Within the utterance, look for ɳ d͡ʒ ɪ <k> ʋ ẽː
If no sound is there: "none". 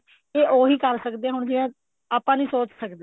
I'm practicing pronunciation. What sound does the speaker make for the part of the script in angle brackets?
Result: none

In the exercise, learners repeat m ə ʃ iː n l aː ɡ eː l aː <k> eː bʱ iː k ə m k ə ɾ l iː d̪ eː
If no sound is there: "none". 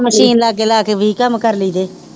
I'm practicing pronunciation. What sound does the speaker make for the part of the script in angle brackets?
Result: k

